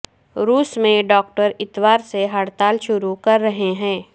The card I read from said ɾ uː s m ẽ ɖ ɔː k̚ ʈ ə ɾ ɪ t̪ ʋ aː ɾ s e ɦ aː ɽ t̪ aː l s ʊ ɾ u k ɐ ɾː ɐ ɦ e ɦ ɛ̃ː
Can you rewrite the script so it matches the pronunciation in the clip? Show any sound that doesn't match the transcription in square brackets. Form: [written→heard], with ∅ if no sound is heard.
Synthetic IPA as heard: ɾ uː s m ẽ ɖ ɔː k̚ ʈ ə ɾ ɪ t̪ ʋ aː ɾ s e ɦ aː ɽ t̪ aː l [s→ʃ] ʊ ɾ u k ɐ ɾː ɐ ɦ e ɦ ɛ̃ː